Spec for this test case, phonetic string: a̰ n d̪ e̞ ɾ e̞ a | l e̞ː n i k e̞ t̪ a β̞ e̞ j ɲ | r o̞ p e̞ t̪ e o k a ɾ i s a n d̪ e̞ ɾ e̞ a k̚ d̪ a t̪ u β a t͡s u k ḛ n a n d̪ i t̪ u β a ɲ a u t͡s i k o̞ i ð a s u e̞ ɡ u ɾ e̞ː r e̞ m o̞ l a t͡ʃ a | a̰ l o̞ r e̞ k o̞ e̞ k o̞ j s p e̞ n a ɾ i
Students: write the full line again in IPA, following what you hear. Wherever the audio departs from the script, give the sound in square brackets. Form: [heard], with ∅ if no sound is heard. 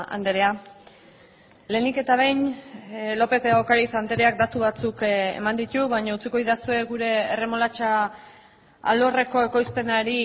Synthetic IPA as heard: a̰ n d̪ e̞ ɾ e̞ a | l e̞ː n i k e̞ t̪ a β̞ e̞ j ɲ | [l] o̞ p e̞ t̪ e o k a ɾ i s a n d̪ e̞ ɾ e̞ a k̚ d̪ a t̪ u β a t͡s u k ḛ [m] a n d̪ i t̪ u β a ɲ a u t͡s i k o̞ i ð a s u e̞ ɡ u ɾ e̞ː r e̞ m o̞ l a t͡ʃ a | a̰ l o̞ r e̞ k o̞ e̞ k o̞ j s p e̞ n a ɾ i